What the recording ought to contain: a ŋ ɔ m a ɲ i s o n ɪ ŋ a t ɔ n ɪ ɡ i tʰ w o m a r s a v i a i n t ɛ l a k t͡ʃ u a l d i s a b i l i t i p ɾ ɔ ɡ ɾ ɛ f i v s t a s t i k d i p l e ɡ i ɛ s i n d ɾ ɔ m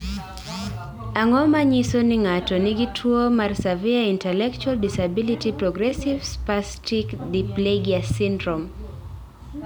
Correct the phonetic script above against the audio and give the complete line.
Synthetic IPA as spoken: a ŋ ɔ m a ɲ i s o n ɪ ŋ a t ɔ n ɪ ɡ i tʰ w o m a r s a v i a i n t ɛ l ɛ k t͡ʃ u a l d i s a b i l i t i p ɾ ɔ ɡ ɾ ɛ s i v s p a s t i k d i p l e ɡ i a s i n d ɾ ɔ m